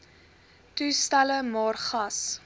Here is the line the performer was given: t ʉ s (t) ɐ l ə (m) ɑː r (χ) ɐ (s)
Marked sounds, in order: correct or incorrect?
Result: correct, correct, correct, correct

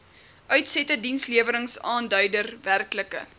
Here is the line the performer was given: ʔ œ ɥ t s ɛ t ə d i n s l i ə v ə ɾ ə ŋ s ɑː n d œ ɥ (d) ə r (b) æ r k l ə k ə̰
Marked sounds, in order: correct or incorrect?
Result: correct, incorrect: v

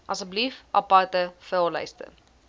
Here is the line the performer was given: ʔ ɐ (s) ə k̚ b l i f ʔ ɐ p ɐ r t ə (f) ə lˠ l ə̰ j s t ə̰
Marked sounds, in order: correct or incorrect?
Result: correct, correct

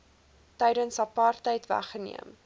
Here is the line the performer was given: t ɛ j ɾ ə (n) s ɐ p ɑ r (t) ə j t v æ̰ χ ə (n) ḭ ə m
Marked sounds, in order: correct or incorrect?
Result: correct, correct, correct

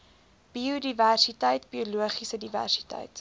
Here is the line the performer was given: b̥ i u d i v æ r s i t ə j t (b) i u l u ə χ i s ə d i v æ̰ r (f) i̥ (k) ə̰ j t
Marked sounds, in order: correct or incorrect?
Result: correct, incorrect: s, incorrect: t

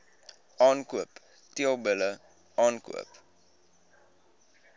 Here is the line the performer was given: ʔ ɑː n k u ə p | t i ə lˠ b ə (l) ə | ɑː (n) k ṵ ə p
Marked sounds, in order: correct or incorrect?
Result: correct, correct

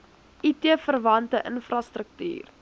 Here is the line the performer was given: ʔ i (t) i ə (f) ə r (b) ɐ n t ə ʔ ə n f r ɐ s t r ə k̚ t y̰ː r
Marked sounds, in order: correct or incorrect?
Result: correct, correct, incorrect: v

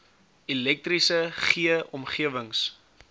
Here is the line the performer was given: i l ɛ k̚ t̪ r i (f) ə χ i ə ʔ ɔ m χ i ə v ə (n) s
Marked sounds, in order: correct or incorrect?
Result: incorrect: s, incorrect: ŋ

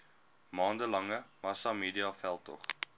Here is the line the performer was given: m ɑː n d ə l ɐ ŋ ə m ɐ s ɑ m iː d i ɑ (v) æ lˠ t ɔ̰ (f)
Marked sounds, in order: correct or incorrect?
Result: incorrect: f, incorrect: χ

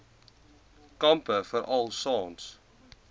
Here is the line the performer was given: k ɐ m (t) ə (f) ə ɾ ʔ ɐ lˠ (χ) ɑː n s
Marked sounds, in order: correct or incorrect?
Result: incorrect: p, correct, incorrect: s

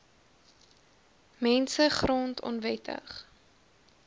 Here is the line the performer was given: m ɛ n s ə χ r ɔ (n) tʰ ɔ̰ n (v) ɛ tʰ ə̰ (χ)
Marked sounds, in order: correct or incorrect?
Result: correct, correct, correct

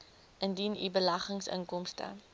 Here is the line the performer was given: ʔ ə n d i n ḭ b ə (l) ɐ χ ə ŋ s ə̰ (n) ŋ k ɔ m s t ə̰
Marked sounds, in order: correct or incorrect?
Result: correct, incorrect: none

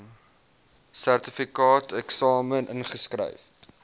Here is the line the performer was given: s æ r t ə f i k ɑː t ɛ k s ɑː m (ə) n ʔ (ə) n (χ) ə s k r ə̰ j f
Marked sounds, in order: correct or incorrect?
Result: correct, correct, correct

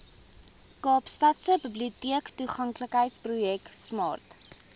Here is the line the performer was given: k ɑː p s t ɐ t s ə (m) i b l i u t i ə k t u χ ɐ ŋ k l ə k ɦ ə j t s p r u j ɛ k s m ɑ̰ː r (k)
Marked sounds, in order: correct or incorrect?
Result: incorrect: b, incorrect: t

